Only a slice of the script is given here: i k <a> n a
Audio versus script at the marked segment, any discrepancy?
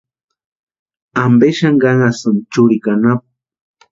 no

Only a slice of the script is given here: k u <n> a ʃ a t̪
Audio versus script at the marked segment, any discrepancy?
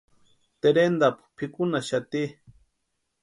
no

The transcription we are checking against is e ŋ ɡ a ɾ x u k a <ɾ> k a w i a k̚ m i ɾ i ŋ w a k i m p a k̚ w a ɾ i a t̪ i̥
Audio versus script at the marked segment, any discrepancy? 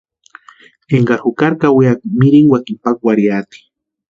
no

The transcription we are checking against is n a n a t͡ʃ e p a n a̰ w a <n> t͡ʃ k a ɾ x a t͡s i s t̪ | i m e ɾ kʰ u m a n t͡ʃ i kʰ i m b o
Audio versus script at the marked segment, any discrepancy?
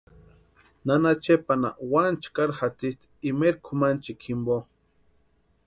no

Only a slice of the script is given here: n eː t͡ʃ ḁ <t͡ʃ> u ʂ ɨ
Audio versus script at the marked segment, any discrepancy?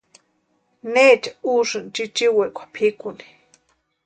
yes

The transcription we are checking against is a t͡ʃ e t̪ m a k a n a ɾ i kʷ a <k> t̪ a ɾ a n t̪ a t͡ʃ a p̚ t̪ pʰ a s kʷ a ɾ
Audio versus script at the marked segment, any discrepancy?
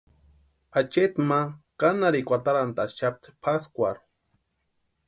yes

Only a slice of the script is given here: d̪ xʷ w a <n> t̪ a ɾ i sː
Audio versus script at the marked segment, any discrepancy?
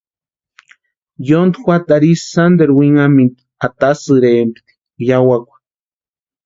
yes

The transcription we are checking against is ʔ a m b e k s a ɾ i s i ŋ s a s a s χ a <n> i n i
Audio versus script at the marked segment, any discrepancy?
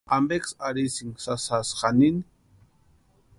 no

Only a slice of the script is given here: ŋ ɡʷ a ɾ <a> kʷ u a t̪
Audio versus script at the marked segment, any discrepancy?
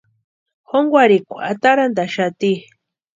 yes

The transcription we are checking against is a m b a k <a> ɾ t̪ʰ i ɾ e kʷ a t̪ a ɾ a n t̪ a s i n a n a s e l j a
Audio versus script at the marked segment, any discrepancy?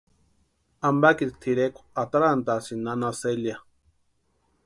yes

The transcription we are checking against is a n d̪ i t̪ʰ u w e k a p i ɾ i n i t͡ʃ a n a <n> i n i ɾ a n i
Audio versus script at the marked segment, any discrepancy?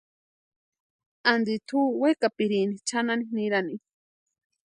no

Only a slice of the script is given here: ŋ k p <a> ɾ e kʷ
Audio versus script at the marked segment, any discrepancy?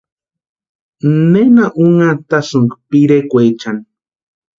yes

